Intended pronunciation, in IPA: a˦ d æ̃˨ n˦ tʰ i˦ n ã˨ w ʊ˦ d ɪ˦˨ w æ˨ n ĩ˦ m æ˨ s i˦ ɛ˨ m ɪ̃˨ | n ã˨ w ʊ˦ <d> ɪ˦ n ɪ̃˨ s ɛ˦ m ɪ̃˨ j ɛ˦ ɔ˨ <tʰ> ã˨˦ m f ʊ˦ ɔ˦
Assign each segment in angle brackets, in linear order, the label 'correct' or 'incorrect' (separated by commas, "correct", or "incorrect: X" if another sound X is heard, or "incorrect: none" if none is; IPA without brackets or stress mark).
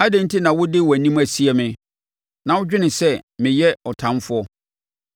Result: incorrect: d͡ʑᶣ, correct